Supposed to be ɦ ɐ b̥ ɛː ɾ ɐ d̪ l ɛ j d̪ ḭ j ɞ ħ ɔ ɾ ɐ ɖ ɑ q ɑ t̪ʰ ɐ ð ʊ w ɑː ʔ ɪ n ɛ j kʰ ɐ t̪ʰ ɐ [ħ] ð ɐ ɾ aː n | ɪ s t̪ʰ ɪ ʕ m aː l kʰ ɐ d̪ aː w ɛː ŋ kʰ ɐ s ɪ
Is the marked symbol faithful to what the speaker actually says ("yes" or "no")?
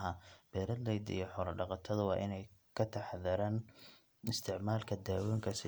yes